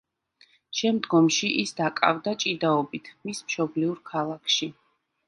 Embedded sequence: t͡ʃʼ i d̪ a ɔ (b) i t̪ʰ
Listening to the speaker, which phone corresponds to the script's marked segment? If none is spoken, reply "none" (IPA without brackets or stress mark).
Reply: b